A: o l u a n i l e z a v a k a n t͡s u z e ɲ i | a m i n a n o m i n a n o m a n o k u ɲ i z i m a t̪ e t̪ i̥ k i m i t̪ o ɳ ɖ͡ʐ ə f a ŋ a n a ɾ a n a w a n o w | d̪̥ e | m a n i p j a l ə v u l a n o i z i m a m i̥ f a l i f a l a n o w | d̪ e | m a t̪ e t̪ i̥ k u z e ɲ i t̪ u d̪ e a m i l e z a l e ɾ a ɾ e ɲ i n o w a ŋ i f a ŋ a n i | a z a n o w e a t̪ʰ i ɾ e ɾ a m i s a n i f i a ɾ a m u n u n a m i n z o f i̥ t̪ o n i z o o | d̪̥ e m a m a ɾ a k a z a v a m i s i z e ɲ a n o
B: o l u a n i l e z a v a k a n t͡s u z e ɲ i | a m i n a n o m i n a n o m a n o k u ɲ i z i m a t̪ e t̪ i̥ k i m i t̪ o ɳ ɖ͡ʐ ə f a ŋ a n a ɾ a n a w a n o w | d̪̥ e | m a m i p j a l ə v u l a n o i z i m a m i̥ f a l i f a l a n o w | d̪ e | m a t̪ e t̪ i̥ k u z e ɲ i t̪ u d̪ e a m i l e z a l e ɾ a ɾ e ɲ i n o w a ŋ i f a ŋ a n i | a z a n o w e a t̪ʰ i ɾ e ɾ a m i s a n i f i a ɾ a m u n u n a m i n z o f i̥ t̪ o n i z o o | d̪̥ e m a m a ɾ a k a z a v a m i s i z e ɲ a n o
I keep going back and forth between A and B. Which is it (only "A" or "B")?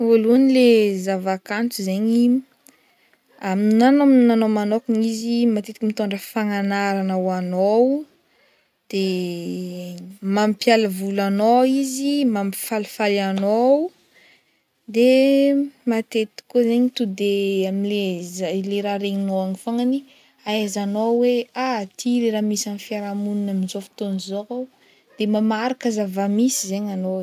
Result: B